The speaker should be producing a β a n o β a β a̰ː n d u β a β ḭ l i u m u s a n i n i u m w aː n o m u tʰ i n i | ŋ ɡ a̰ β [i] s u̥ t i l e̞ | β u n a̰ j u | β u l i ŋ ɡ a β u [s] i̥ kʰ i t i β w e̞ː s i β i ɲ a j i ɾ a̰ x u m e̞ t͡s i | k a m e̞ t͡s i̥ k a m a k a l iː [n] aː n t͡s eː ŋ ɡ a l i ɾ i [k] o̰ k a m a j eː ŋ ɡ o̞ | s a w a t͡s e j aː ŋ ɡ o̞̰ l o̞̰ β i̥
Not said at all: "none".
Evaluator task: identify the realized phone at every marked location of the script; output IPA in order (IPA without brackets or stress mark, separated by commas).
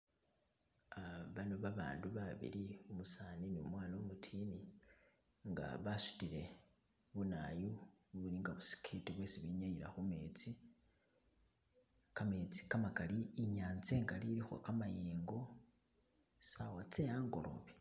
a, s, ɲ, x